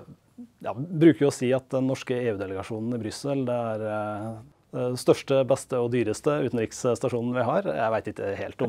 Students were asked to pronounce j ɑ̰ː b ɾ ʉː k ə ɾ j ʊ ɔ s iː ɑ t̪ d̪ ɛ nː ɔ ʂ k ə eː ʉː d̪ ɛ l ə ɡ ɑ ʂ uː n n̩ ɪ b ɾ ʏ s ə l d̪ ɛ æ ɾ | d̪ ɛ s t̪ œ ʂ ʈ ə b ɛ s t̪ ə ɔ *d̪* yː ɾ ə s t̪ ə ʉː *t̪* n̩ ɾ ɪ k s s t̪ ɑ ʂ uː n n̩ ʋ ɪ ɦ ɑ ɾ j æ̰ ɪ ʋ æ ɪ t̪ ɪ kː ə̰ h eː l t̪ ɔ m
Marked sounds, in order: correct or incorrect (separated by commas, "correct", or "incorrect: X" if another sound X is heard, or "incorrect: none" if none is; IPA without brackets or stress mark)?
correct, correct